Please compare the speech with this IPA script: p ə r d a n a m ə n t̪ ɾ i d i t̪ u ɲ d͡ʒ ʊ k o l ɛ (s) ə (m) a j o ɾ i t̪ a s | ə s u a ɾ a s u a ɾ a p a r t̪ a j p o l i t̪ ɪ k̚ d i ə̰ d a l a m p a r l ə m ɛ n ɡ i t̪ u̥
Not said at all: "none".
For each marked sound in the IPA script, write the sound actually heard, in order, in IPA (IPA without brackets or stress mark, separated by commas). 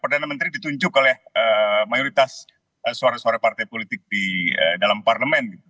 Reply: h, m